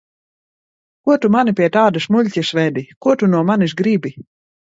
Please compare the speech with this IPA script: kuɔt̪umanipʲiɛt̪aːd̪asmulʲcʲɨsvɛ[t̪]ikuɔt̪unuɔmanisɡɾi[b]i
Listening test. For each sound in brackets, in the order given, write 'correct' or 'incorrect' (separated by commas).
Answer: incorrect, correct